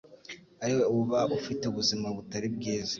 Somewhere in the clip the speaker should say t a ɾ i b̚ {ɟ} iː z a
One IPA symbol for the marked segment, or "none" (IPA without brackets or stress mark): ɡ